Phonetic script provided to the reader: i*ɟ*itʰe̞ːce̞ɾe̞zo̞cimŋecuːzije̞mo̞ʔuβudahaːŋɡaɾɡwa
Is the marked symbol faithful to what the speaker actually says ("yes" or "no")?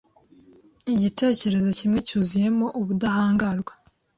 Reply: yes